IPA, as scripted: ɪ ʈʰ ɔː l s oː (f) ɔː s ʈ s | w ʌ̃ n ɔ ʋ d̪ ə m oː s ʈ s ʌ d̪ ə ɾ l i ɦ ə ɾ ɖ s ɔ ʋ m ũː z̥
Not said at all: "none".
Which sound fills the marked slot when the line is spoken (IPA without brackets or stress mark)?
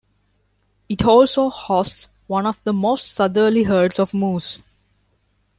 h